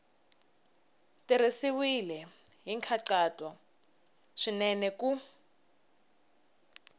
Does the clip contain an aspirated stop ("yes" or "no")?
yes